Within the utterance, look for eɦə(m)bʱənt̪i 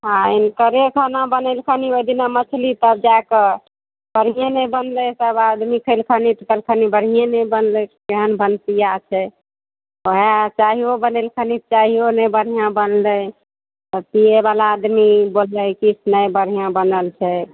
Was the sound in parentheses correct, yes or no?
no